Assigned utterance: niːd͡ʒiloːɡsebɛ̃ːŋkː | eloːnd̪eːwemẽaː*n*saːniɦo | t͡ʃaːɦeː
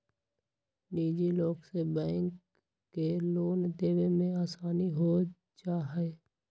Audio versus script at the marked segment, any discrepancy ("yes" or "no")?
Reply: yes